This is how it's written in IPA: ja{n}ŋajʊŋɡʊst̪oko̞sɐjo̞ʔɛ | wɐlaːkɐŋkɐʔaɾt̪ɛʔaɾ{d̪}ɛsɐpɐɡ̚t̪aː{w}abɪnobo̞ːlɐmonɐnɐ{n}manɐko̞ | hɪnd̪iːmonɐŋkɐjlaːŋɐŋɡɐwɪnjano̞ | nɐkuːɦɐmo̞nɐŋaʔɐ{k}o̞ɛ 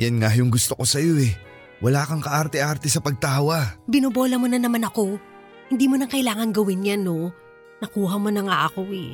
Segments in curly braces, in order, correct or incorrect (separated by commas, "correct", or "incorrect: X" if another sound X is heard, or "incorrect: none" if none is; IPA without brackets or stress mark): correct, incorrect: t̪, correct, incorrect: none, correct